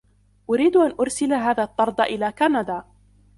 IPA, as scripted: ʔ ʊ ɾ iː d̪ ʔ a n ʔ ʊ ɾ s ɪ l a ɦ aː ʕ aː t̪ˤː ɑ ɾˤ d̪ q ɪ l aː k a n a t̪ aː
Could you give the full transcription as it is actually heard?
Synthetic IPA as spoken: ʔ ʊ ɾ iː d̪ ʔ a n ʔ ʊ ɾ s ɪ l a ɦ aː ð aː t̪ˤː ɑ ɾˤ d̪ ʔ ɪ l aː k a n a d̪ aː